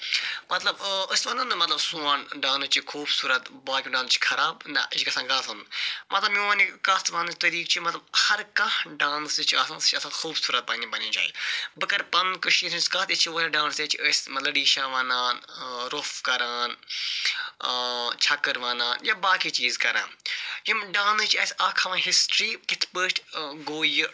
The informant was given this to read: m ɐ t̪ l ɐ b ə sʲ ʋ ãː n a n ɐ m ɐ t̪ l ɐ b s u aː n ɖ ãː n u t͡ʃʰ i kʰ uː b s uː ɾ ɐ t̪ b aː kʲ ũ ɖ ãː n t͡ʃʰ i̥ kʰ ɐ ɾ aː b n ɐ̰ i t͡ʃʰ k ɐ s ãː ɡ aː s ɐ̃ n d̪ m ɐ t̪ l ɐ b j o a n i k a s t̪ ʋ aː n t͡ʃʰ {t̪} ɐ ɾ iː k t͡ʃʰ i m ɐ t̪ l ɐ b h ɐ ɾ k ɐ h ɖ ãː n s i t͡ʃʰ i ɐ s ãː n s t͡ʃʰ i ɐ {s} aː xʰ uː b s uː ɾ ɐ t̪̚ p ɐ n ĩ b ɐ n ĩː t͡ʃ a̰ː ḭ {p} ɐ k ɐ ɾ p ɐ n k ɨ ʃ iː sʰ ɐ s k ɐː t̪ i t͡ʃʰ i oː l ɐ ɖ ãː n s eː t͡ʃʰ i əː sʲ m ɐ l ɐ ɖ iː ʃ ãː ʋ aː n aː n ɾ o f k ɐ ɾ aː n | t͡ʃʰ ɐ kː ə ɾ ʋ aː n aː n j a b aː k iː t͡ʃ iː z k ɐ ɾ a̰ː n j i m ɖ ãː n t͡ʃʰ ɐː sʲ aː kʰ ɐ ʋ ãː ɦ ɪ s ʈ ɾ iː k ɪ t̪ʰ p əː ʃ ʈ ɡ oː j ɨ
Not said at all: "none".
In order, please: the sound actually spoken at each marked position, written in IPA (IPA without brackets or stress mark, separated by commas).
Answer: t̪, s, b